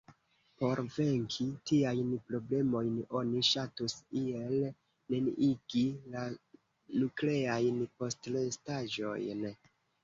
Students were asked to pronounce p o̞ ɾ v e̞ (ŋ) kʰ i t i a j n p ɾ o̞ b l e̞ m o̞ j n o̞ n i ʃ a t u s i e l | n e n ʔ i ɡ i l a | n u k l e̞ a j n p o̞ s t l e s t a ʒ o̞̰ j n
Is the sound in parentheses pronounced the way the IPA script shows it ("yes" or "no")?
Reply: yes